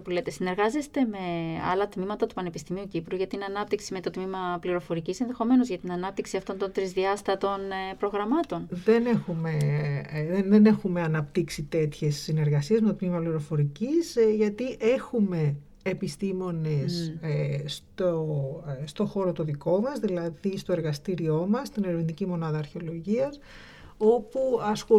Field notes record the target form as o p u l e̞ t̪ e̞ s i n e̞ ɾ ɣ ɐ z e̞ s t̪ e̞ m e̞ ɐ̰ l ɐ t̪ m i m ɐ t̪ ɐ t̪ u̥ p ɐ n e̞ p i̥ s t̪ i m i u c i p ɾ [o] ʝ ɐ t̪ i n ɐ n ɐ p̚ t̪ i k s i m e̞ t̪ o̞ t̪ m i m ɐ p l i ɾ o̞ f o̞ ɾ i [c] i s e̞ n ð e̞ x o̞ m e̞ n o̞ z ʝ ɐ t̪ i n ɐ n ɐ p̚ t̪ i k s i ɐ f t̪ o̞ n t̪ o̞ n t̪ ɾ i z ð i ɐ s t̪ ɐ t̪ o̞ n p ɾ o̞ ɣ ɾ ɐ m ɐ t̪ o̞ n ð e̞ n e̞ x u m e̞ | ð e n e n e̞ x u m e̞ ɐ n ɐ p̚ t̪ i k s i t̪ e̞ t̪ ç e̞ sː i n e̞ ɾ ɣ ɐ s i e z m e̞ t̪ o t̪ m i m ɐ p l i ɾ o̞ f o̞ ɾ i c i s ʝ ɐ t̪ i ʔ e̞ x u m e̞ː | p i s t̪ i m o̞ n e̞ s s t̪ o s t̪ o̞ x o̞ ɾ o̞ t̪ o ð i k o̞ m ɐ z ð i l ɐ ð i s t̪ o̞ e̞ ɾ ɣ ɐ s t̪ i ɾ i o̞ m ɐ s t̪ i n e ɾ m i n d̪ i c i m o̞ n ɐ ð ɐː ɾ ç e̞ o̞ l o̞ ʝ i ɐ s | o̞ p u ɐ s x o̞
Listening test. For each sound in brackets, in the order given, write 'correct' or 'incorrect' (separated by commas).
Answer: incorrect, correct